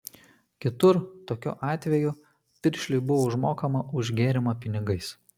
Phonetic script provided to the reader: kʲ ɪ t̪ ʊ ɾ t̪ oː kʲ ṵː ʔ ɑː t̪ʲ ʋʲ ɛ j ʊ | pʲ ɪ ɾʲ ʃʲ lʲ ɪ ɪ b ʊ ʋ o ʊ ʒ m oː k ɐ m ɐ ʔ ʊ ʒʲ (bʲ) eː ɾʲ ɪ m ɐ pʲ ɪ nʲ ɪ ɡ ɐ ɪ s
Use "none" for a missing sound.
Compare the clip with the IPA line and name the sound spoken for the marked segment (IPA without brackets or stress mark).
ɡʲ